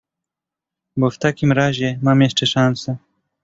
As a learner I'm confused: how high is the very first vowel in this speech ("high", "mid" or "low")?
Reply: mid